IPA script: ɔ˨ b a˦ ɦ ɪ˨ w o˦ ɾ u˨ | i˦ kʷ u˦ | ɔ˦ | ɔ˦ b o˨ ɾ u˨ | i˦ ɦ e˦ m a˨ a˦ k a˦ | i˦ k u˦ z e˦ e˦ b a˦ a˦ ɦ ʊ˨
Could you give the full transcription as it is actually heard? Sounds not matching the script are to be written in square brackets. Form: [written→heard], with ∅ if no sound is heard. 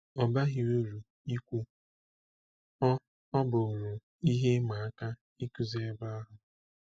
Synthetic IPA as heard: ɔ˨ b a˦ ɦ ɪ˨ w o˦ ɾ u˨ | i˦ kʷ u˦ | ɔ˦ | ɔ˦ b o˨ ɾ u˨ | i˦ ɦ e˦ m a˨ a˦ k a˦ | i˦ k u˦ z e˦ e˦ b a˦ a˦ ɦ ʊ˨

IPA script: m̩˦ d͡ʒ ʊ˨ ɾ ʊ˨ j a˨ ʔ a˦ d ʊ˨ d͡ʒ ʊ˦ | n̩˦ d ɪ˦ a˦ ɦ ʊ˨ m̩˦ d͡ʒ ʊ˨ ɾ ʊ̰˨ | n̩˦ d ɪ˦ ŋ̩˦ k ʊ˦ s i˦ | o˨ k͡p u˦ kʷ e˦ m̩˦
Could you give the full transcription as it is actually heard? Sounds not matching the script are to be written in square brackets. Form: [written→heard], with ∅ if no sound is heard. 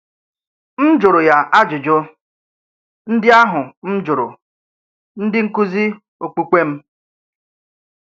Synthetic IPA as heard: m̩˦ d͡ʒ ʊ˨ ɾ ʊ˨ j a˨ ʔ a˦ [d→d͡ʒ] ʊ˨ d͡ʒ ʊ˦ | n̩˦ d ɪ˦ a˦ ɦ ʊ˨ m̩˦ d͡ʒ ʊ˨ ɾ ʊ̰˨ | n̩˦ d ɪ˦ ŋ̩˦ k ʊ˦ [s→z] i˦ | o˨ k͡p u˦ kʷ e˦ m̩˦

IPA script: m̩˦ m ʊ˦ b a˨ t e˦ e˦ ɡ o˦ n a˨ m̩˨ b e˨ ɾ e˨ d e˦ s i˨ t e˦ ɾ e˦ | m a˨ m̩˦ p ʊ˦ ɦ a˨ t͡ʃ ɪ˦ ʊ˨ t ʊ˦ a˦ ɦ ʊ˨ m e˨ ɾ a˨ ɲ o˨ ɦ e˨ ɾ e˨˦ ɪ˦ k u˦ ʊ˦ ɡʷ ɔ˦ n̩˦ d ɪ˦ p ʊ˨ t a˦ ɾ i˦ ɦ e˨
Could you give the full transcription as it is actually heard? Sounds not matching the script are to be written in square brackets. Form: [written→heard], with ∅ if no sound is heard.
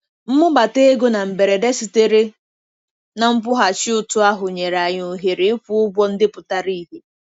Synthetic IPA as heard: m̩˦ m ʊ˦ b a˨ t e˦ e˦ ɡ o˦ n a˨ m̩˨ b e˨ ɾ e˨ d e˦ s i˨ t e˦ ɾ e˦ | [m→n] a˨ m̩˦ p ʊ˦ ɦ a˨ t͡ʃ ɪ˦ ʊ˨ t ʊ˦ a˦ ɦ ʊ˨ [m→ɲ] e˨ ɾ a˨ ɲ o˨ ɦ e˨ ɾ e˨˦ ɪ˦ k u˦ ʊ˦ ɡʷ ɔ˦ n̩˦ d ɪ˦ p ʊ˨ t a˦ ɾ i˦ ɦ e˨

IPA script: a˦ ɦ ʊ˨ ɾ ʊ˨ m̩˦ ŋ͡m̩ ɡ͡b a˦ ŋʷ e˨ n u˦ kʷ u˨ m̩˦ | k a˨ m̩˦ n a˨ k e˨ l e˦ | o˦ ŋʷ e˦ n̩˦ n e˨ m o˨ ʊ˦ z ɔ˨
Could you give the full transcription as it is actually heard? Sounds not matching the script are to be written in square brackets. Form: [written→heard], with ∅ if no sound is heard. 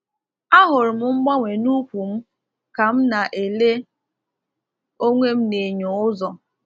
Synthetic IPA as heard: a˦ ɦ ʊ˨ ɾ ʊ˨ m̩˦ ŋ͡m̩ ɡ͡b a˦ ŋʷ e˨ n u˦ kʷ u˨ m̩˦ | k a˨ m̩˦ n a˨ [k→ʔ] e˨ l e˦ | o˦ ŋʷ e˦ [n̩˦→m̩˦] n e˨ [m→ɲ] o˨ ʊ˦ z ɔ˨

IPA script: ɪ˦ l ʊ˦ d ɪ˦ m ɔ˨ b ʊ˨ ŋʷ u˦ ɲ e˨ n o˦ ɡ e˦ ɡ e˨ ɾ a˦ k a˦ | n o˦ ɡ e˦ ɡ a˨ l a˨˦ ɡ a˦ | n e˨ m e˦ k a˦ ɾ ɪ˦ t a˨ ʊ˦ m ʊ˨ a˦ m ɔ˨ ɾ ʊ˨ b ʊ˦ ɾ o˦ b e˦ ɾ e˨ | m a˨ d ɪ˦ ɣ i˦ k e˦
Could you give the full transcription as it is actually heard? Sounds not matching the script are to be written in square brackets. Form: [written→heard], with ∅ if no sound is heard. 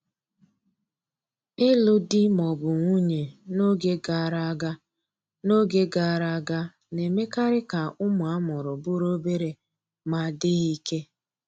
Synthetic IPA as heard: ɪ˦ l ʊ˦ d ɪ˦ m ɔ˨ b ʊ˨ ŋʷ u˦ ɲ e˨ n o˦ ɡ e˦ ɡ [e˨→a˨] ɾ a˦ [k→ɡ] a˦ | n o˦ ɡ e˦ ɡ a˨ [l→ɾ] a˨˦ ɡ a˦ | n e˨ m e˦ k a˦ ɾ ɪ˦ [t→k] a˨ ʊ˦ m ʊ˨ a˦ m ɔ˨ ɾ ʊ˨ b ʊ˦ ɾ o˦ b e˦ ɾ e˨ | m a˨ d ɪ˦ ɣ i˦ k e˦

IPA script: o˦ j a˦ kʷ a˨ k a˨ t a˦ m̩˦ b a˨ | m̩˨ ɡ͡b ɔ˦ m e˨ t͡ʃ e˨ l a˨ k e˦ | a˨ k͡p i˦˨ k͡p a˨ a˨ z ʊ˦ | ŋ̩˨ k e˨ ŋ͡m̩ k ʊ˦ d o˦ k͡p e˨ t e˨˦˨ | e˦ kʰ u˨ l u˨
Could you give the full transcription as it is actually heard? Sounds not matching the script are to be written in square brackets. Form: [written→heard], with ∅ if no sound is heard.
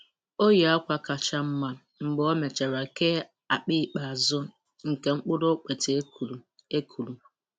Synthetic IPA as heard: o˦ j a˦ kʷ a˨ k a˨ [t→t͡ʃ] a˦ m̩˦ [b→m] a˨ | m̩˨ ɡ͡b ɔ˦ m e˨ t͡ʃ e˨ [l→ɾ] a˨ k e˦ | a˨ k͡p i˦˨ k͡p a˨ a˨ z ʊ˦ | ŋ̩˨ k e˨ ŋ͡m̩ [k→k͡p] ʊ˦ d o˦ k͡p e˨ t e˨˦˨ | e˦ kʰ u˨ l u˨

